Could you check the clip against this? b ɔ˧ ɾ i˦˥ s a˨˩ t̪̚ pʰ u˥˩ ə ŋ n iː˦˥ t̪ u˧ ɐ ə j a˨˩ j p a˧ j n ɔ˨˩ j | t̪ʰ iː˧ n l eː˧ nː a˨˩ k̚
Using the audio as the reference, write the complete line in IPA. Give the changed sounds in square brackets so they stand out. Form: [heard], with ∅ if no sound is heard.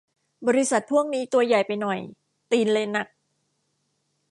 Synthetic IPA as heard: b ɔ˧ ɾ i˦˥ s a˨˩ t̪̚ pʰ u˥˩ ə ŋ n iː˦˥ t̪ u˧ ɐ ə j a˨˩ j p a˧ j n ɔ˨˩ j | [t̪] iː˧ n l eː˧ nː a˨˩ k̚